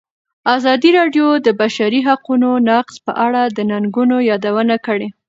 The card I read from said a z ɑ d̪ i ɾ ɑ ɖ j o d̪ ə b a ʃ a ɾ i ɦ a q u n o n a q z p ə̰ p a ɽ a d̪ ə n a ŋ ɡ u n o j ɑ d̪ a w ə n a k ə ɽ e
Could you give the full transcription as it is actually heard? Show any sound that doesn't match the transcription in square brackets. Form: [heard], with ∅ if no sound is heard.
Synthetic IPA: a z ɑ d̪ i ɾ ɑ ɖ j o d̪ ə b a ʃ a ɾ i ɦ a q u n o n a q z p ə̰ [ʔ] a ɽ a d̪ ə n a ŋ ɡ u n o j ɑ d̪ a w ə n a k ə ɽ e